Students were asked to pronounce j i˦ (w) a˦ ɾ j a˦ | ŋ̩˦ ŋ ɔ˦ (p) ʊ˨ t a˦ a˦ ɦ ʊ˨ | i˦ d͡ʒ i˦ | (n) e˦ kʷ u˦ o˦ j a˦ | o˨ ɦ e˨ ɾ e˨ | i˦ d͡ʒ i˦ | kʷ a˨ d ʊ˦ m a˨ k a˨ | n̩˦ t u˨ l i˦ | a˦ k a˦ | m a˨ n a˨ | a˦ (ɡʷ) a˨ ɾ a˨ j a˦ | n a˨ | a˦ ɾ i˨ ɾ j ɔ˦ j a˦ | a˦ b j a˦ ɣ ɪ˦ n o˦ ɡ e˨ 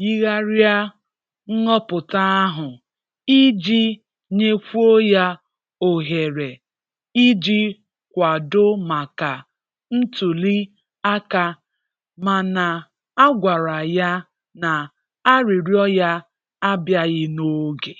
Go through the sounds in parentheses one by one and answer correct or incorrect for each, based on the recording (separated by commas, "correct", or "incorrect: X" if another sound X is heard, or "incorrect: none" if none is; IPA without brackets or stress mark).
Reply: incorrect: ɣ, correct, incorrect: ɲ, correct